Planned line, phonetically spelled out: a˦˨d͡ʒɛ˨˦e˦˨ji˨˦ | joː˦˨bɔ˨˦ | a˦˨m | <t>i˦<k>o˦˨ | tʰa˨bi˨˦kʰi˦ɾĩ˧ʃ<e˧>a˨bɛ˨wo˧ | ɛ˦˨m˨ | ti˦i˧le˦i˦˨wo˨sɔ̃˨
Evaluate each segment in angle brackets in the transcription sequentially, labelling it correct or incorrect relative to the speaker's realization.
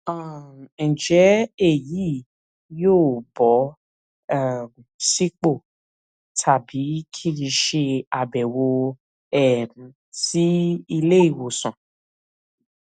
incorrect: s, incorrect: k͡p, correct

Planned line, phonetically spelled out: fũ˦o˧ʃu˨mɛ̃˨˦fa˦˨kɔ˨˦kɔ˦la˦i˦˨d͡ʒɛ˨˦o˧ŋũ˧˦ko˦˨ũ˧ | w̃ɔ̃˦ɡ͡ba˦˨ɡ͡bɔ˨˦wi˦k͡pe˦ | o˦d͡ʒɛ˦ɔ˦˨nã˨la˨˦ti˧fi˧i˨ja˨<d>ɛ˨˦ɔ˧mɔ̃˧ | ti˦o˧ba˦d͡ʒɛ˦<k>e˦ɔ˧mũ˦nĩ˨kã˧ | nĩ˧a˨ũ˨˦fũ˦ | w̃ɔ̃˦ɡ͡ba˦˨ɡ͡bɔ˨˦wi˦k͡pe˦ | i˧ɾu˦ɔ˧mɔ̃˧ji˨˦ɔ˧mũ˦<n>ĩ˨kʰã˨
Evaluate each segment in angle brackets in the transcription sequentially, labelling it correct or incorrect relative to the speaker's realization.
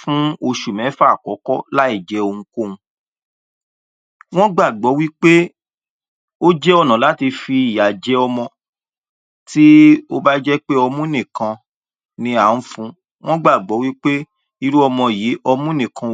incorrect: d͡ʒ, incorrect: k͡p, correct

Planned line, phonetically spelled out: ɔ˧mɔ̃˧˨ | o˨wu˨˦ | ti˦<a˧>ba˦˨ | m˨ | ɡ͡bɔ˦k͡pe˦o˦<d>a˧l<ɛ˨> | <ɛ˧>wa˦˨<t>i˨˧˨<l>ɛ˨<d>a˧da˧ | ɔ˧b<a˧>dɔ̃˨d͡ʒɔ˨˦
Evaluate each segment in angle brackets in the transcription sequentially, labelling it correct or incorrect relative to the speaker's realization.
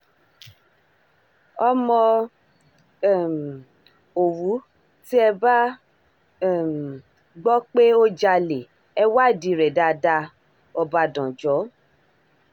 incorrect: ɛ˧, incorrect: d͡ʒ, incorrect: e˨, correct, incorrect: d, incorrect: ɾ, correct, correct

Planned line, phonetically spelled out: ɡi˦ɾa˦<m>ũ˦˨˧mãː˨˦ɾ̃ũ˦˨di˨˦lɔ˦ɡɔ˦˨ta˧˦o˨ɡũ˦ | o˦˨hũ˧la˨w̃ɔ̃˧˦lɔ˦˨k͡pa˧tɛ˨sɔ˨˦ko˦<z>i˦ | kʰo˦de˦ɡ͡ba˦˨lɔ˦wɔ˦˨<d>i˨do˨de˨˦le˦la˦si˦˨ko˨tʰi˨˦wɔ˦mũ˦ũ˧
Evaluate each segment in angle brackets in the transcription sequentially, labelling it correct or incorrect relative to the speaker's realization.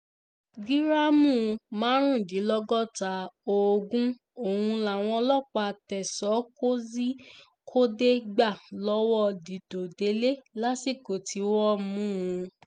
correct, correct, correct

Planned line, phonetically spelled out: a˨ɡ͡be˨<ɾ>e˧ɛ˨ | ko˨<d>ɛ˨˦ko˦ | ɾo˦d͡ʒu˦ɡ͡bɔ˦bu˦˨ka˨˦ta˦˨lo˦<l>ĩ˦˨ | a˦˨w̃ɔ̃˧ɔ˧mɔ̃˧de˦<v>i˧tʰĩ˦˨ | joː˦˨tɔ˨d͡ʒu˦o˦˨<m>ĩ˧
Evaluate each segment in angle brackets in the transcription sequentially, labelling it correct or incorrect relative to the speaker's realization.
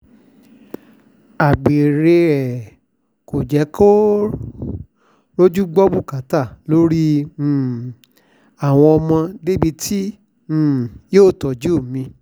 correct, incorrect: d͡ʒ, incorrect: ɾ, incorrect: b, correct

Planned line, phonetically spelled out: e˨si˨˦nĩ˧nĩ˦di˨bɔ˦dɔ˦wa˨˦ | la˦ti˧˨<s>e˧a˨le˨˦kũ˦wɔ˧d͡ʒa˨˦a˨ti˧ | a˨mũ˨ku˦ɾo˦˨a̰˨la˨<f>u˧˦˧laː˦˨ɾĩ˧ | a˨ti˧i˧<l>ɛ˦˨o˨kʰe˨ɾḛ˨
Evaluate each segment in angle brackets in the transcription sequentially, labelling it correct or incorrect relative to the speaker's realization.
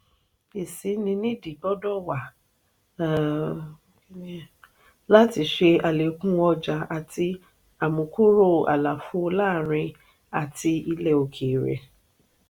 incorrect: ʃ, correct, correct

